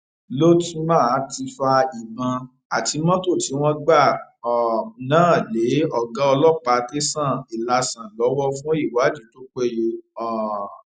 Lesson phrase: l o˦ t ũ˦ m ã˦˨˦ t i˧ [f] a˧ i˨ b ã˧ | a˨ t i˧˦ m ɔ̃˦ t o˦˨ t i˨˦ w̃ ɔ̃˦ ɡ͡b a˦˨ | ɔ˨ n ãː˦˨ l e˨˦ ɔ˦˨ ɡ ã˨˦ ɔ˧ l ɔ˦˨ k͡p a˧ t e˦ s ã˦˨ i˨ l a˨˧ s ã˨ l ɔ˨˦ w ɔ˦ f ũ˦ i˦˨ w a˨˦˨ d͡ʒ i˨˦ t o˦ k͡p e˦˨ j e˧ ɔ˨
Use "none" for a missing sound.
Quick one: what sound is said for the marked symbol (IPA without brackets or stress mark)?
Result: f